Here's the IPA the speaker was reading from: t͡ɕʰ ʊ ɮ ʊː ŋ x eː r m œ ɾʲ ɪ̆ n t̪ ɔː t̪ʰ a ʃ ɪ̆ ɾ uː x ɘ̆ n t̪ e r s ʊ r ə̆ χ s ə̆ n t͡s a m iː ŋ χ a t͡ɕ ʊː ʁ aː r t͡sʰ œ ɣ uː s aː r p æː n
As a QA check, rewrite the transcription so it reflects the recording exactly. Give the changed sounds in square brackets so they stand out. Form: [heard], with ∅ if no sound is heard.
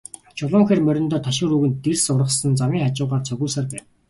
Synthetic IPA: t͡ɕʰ ʊ ɮ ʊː ŋ x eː r m œ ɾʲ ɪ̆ n t̪ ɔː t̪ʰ a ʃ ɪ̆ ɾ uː [ɣ] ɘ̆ n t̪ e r s ʊ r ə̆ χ s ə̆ n t͡s a m iː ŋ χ a t͡ɕ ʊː ʁ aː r t͡sʰ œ ɣ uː s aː r p æː n